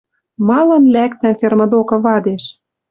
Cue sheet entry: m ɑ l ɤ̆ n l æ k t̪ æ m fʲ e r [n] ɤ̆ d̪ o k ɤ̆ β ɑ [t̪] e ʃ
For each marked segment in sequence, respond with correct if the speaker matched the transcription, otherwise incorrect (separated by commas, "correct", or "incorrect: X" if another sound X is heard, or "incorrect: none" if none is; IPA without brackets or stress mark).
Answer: incorrect: m, incorrect: d̪